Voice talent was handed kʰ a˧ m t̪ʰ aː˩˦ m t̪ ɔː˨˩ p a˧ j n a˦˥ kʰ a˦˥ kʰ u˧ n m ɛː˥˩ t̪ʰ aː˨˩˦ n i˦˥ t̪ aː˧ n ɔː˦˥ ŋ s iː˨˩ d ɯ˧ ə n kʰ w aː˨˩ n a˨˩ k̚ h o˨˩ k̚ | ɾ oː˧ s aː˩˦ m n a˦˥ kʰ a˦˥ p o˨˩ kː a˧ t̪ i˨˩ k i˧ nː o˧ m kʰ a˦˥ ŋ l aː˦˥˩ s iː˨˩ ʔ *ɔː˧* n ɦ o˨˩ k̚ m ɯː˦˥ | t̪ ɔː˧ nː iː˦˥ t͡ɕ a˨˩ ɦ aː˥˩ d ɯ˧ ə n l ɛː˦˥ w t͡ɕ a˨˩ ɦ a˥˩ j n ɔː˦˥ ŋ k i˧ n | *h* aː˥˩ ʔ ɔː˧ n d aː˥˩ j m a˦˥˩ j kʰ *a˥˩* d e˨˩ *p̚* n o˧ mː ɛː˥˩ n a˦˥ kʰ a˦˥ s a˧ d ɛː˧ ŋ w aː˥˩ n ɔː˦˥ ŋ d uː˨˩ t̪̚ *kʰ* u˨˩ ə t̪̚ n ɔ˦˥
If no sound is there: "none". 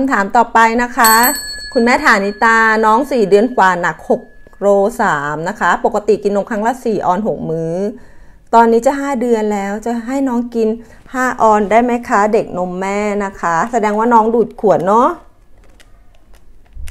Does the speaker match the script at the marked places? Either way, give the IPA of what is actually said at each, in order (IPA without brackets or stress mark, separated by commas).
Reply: ɔː˧, h, a˦˥, k̚, kʰ